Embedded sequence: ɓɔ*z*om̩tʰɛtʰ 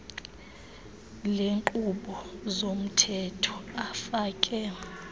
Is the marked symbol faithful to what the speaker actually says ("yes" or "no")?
yes